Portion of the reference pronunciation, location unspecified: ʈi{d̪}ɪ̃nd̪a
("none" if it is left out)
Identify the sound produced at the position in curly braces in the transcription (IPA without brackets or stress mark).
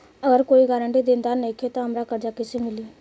d̪